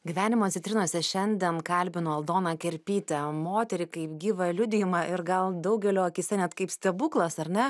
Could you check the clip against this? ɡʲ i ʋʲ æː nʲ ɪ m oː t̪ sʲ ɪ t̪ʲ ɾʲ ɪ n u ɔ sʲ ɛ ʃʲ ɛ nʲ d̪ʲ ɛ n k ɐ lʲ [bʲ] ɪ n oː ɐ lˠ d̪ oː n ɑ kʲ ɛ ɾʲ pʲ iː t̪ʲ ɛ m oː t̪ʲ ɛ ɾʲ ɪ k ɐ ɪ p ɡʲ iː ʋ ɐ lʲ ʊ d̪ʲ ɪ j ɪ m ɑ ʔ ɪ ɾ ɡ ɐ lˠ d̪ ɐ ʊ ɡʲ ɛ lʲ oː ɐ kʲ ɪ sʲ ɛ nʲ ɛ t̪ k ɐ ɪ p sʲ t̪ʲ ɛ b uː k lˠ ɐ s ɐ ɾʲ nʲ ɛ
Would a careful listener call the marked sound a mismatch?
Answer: no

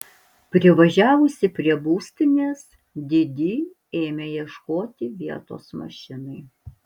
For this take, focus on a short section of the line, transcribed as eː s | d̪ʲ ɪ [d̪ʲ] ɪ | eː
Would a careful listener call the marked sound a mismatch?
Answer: no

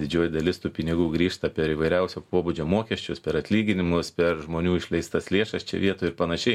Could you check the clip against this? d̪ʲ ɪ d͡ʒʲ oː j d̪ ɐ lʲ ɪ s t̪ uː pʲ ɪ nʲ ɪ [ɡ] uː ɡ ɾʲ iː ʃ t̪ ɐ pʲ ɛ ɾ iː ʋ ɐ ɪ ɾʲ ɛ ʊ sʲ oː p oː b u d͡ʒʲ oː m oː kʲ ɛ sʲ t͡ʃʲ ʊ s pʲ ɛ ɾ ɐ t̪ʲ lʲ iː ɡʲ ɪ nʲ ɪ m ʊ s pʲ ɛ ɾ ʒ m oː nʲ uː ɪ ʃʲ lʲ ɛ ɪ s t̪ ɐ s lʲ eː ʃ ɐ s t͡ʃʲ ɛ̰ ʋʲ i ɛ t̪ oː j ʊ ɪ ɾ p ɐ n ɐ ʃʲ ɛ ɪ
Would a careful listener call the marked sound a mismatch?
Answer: no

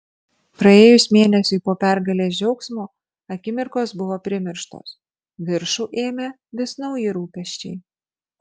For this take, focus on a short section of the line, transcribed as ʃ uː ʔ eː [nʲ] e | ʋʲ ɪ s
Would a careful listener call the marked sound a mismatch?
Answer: yes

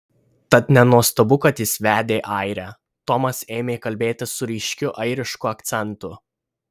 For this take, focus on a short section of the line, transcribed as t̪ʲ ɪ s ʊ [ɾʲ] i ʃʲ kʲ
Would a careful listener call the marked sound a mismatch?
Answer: no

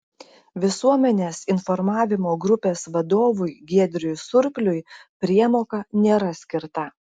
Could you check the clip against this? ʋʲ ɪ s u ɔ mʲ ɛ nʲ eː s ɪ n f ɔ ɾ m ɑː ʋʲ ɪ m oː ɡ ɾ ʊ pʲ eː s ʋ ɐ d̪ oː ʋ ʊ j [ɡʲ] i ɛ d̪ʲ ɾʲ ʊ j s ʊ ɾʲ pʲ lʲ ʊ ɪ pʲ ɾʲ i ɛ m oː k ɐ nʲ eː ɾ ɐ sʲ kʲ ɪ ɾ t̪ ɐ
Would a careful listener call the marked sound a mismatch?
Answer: no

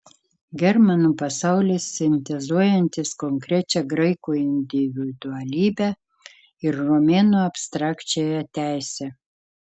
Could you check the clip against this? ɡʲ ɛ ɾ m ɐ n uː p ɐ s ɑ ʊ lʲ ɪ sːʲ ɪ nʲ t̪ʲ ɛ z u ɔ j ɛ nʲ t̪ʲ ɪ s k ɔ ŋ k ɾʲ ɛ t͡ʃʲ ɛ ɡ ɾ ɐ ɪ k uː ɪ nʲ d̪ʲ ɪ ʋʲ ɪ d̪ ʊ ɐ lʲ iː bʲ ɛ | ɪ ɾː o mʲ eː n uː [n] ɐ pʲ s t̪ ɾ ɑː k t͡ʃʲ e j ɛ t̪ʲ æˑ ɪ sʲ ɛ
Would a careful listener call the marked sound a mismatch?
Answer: yes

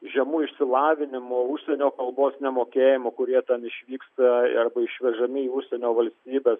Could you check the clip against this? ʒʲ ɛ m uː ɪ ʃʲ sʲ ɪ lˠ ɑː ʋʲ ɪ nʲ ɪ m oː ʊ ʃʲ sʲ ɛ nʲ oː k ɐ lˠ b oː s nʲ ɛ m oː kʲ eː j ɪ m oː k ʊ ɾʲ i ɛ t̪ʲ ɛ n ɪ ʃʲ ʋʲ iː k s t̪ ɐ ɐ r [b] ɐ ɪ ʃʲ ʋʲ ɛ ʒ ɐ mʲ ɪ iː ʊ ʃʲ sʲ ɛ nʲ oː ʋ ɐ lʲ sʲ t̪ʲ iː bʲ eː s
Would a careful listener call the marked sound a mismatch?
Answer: no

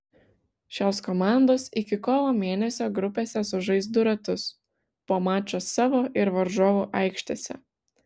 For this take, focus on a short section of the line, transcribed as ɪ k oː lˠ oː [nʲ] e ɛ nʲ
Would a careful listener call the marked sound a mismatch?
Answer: yes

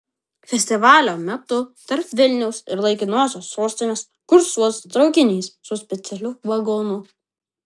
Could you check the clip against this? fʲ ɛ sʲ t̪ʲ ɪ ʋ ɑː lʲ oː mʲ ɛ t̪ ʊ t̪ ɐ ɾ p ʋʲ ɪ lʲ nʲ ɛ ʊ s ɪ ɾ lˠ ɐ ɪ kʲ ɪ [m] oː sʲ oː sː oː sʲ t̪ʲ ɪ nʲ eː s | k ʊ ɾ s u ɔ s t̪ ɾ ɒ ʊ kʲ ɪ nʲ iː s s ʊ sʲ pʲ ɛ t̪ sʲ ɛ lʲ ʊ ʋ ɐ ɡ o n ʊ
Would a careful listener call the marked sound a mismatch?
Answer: yes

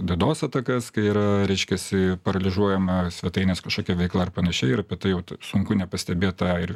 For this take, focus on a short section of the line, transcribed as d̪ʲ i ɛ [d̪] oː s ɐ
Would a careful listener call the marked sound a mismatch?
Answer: no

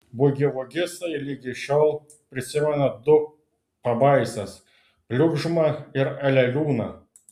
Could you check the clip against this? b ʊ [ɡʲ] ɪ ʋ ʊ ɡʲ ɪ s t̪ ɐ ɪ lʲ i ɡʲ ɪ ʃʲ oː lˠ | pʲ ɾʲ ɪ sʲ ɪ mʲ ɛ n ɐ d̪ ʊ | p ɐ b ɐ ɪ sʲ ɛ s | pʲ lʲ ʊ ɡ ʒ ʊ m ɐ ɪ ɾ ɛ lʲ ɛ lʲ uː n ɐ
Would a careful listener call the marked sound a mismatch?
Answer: no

